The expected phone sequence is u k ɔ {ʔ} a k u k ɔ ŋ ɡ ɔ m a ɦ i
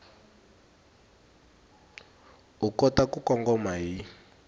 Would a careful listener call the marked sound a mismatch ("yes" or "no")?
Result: yes